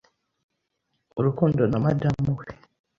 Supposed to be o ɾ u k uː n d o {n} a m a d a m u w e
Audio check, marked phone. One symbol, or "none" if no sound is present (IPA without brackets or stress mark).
n